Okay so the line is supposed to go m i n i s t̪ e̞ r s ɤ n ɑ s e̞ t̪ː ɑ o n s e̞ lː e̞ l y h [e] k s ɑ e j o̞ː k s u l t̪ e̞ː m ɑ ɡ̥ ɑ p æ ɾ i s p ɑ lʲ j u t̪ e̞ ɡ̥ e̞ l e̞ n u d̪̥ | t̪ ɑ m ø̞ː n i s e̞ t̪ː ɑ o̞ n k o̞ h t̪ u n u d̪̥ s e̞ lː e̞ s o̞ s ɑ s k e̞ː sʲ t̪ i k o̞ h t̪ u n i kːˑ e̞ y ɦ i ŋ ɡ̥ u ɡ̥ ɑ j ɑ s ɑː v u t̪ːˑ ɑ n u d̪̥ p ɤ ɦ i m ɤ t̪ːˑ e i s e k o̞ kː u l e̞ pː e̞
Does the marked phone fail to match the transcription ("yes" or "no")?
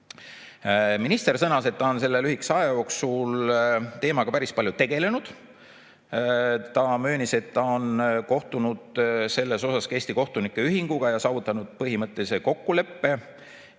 yes